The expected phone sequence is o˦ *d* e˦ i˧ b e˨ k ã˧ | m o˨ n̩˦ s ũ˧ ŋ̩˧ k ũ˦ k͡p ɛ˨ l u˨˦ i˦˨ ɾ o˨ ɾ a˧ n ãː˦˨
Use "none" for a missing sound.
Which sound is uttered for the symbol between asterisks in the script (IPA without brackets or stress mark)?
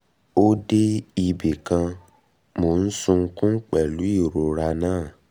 d